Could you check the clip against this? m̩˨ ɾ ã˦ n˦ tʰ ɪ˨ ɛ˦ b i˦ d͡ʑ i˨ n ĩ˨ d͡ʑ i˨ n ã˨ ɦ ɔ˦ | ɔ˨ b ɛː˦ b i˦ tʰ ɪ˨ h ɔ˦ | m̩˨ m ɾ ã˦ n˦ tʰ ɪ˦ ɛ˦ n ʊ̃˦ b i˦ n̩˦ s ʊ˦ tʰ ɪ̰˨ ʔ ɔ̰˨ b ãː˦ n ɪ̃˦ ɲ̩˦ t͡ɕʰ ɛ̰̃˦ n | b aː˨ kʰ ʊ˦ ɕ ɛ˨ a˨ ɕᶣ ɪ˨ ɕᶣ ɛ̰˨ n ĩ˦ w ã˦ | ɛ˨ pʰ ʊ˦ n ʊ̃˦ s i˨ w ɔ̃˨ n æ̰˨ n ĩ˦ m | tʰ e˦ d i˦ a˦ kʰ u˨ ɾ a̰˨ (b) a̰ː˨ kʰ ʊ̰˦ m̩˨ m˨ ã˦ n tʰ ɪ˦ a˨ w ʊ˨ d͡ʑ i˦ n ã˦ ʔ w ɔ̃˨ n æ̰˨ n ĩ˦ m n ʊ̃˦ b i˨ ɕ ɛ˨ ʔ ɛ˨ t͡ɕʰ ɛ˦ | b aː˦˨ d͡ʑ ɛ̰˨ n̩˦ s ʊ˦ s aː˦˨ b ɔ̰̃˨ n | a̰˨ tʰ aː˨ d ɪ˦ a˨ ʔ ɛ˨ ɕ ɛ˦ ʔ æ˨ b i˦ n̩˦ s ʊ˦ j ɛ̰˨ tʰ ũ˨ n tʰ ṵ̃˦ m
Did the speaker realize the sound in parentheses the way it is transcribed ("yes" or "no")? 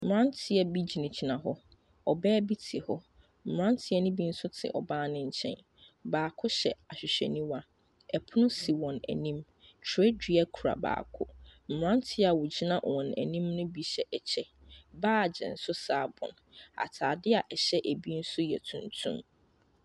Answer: yes